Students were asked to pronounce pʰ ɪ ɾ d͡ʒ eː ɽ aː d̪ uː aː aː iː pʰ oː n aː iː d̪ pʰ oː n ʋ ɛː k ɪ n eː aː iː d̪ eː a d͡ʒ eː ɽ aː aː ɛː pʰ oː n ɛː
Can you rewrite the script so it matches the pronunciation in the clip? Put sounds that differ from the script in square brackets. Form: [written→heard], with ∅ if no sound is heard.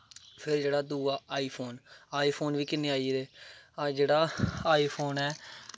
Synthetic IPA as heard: pʰ ɪ ɾ d͡ʒ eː ɽ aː d̪ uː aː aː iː pʰ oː n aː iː [d̪→∅] pʰ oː n ʋ [ɛː→iː] k ɪ n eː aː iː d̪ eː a d͡ʒ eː ɽ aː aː [ɛː→iː] pʰ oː n ɛː